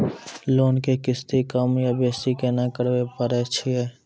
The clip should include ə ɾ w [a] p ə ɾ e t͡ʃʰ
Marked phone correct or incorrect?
incorrect